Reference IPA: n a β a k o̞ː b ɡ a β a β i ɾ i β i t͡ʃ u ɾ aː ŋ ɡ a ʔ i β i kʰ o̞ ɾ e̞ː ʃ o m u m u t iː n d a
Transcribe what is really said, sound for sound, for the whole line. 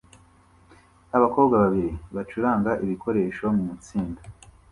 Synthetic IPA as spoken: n a β a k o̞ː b ɡ a β a β i ɾ i β a t͡ʃ u ɾ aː ŋ ɡ a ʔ i β i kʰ o̞ ɾ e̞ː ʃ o m u m u t͡s iː n d a